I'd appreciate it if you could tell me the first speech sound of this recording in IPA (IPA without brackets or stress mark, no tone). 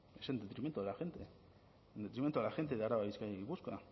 e